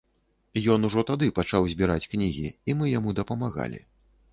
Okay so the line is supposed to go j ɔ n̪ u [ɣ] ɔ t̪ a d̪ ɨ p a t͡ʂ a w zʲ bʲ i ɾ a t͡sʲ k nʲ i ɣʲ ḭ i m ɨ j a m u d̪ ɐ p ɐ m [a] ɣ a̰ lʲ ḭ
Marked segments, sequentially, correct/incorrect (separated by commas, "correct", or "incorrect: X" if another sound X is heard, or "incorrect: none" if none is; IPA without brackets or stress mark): incorrect: ʐ, correct